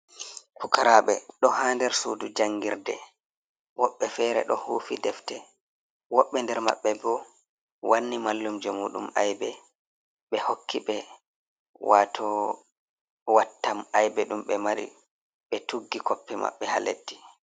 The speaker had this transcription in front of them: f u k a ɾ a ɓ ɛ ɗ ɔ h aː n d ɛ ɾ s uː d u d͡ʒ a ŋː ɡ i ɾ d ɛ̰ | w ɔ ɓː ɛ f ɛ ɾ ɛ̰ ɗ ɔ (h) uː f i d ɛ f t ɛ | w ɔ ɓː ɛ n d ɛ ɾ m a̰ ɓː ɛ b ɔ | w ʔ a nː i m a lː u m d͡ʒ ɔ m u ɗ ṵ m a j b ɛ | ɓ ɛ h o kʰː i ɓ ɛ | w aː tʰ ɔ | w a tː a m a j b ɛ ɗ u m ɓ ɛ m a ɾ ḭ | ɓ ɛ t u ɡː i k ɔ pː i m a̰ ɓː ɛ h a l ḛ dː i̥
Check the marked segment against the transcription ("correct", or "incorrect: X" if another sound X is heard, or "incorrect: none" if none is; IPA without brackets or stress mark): correct